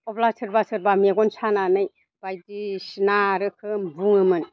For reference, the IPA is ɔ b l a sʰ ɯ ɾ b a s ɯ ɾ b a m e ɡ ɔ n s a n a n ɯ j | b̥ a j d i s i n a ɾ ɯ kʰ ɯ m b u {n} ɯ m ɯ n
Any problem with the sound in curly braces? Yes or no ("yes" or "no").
yes